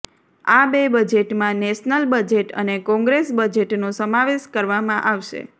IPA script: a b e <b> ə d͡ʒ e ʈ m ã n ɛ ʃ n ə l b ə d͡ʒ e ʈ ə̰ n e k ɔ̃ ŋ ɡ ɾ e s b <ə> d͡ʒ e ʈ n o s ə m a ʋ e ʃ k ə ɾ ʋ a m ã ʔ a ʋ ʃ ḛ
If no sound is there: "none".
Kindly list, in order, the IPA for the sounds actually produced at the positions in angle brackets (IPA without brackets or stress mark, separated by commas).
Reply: b, ə